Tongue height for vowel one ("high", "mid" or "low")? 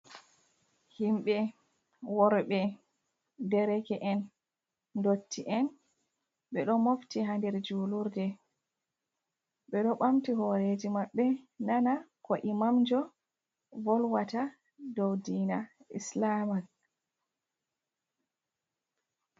high